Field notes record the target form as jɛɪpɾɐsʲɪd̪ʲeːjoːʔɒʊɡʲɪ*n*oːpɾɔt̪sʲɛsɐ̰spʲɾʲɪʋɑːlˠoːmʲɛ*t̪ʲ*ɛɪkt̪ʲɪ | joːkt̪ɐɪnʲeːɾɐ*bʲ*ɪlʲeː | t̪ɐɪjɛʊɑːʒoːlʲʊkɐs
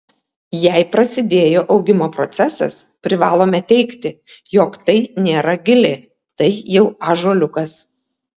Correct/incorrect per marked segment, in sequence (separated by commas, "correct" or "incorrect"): incorrect, correct, incorrect